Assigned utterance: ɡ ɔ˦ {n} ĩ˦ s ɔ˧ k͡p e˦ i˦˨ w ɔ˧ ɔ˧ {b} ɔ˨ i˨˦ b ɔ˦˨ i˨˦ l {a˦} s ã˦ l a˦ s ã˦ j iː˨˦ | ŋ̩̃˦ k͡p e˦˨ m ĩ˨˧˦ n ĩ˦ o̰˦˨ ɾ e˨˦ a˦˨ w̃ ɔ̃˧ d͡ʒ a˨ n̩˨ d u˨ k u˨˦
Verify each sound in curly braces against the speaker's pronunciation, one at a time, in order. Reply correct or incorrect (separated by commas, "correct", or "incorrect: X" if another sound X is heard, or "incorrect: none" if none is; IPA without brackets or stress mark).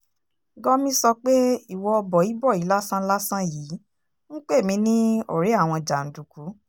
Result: incorrect: m, correct, correct